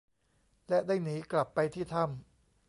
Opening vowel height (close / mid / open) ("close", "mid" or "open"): mid